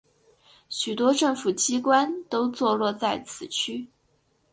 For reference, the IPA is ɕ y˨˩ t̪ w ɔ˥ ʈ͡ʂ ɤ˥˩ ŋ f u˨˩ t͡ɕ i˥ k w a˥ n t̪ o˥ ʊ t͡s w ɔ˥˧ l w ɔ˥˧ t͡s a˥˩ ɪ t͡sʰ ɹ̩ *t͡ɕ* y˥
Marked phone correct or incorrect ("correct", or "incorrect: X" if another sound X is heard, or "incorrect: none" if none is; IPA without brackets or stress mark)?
incorrect: t͡ɕʰ